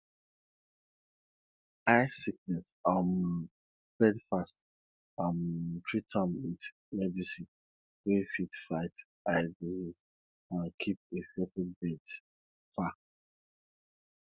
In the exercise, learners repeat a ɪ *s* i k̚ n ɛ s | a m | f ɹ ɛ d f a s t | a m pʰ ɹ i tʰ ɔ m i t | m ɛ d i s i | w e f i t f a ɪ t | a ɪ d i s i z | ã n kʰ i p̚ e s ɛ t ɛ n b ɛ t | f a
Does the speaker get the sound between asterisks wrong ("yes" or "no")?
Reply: no